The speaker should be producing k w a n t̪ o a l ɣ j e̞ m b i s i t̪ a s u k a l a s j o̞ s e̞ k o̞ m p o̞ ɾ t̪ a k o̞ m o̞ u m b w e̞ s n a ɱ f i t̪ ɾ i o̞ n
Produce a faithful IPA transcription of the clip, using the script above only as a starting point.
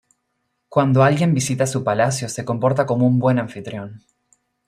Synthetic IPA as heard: k w a n d̪ o a l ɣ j e̞ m b i s i t̪ a s u p a l a s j o̞ s e̞ k o̞ m p o̞ ɾ t̪ a k o̞ m o̞ u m b w e̞ n a ɱ f i t̪ ɾ j o̞ n